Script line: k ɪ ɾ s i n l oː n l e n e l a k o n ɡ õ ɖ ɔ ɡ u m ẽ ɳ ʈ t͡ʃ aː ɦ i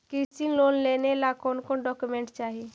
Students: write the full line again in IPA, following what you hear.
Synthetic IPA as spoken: k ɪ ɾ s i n l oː n l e n e l a k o n k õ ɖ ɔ k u m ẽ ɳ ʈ t͡ʃ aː ɦ i